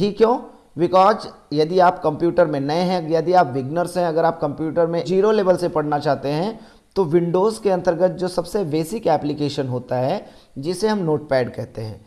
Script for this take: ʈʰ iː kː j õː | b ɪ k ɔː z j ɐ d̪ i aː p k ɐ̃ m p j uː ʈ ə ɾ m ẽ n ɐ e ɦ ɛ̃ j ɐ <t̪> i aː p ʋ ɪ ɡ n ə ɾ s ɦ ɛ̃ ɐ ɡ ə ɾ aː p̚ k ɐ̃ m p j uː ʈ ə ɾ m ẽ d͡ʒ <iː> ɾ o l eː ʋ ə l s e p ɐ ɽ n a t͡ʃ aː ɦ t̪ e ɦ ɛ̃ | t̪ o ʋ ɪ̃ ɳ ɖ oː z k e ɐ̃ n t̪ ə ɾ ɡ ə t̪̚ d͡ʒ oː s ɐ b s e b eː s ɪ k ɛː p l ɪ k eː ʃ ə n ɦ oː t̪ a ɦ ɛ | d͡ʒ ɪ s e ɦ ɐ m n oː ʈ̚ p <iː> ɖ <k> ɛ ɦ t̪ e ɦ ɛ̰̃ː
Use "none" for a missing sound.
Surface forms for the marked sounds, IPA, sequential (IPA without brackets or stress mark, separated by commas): d̪, iː, ɛː, k